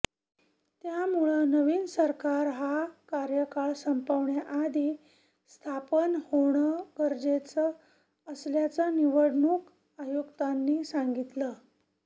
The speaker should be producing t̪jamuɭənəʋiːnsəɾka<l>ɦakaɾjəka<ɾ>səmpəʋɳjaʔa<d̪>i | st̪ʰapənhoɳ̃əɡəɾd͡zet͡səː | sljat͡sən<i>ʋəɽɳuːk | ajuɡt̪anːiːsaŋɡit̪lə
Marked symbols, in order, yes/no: no, no, yes, yes

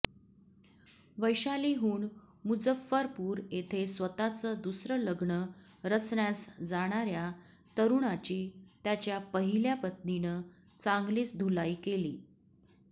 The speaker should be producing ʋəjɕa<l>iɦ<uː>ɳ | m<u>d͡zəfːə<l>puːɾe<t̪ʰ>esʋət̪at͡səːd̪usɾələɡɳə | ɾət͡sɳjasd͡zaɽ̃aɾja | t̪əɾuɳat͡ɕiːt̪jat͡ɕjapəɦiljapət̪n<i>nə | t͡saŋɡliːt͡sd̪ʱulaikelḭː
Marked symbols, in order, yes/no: yes, yes, yes, no, yes, yes

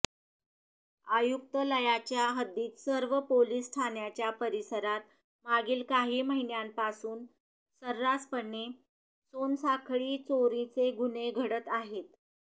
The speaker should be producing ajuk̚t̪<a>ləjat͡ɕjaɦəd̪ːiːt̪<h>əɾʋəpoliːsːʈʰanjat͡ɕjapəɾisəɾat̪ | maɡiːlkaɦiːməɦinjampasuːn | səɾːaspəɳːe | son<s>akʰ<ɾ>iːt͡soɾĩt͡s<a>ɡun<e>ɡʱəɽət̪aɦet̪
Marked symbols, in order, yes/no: no, no, yes, no, no, yes

